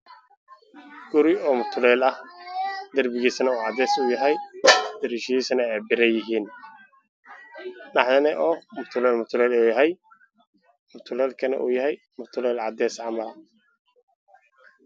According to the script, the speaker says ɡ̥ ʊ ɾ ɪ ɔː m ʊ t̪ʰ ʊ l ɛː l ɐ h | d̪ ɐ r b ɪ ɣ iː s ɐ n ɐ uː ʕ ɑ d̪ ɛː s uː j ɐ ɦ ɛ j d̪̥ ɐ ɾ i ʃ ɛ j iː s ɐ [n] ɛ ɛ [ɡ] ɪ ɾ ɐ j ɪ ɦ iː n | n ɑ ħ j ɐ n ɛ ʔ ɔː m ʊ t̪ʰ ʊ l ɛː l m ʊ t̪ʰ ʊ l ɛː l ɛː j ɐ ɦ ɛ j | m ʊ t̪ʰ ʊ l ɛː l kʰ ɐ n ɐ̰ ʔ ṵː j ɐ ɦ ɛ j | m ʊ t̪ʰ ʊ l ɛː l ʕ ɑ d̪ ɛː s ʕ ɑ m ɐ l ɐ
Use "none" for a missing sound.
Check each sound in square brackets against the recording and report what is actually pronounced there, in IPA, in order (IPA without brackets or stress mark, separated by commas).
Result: n, b